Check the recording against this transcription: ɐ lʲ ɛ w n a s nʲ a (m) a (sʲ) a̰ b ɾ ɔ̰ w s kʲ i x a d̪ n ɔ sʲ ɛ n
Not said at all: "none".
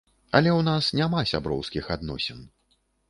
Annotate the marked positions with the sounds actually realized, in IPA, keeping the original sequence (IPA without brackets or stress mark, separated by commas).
m, sʲ